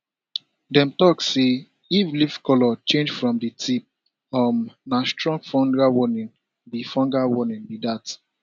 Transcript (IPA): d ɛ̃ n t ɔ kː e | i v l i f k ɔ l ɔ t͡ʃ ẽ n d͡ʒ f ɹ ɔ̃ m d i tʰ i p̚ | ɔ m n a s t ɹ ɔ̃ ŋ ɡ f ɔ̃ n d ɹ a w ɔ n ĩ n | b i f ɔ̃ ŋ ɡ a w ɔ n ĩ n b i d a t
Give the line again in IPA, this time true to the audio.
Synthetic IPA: d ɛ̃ m t ɔ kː e | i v l i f k ɔ l ɔ t͡ʃ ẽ n d͡ʒ f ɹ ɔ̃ m d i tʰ i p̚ | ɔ m n a s t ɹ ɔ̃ ŋ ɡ f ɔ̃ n d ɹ a w ɔ n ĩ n | b i f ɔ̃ ŋ ɡ a w ɔ n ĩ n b i d a t